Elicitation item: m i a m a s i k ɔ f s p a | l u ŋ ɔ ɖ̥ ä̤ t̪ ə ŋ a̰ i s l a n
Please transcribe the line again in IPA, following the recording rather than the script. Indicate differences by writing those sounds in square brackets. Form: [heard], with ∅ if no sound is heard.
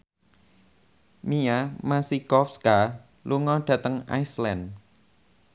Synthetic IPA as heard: m i a m a s i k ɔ f s [k] a | l u ŋ ɔ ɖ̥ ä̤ t̪ ə ŋ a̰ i s l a n